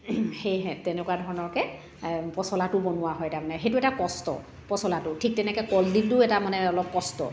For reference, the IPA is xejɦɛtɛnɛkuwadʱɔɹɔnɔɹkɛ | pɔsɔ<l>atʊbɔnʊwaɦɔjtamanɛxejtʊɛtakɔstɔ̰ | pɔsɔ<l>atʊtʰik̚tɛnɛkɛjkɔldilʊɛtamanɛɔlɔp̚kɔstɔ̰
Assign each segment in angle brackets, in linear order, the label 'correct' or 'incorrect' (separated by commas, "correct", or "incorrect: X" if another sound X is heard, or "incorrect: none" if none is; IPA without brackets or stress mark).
correct, correct